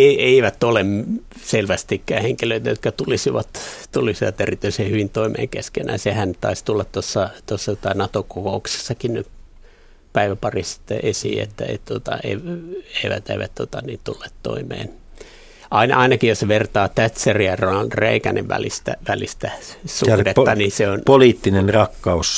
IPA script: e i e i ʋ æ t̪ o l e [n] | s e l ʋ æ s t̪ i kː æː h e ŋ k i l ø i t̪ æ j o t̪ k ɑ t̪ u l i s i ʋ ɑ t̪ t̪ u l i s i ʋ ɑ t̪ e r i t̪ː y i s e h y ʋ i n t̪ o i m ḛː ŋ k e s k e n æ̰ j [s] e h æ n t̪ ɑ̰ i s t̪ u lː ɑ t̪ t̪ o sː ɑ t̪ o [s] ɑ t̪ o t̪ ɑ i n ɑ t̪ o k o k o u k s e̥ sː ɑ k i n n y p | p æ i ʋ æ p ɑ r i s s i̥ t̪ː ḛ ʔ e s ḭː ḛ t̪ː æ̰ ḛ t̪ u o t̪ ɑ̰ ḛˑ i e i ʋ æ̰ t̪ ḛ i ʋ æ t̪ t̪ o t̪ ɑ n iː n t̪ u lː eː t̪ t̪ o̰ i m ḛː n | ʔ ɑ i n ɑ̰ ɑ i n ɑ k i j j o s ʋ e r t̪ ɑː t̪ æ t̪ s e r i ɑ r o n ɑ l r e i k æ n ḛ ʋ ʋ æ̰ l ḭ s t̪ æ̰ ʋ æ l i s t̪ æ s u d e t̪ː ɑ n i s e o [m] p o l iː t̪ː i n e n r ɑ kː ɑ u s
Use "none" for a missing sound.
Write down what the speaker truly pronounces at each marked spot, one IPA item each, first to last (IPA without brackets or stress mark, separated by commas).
m, s, sː, n